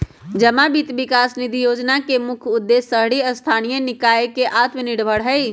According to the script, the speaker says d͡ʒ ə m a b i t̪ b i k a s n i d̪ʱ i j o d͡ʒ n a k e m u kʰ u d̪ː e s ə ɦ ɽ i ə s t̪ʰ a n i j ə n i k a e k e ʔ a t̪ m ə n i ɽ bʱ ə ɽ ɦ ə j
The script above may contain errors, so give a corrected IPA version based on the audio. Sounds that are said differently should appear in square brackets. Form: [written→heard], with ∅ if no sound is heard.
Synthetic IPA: d͡ʒ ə m a b i t̪ b i k a s n i d̪ʱ i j o d͡ʒ n a k e m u kʰ u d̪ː e s ə ɦ ɽ i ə s t̪ʰ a n i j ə n i k a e k e ʔ a t̪ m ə n i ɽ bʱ ə ɽ ɦ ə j